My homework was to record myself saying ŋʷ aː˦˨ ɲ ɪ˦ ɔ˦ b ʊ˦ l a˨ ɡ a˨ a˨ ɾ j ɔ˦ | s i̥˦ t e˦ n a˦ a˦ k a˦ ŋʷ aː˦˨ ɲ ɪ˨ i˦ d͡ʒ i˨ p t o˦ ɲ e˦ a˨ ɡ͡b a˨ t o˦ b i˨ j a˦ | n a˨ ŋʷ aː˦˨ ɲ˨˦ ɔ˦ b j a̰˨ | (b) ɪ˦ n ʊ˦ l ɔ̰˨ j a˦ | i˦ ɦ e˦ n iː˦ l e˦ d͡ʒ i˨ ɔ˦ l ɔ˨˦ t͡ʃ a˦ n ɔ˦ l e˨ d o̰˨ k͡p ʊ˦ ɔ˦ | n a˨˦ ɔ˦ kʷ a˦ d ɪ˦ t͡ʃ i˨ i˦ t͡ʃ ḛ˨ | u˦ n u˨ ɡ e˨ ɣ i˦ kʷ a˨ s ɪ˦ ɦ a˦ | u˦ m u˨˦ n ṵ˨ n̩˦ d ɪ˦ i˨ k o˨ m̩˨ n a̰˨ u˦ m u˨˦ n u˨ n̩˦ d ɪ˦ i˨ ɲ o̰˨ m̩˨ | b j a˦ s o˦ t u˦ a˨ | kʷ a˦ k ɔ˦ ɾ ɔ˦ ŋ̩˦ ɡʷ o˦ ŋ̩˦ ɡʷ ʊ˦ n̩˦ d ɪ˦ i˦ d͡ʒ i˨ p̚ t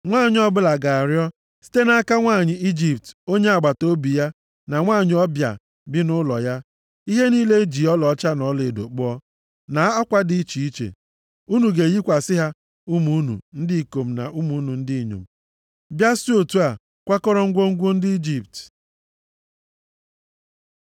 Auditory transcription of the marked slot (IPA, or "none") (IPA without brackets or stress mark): b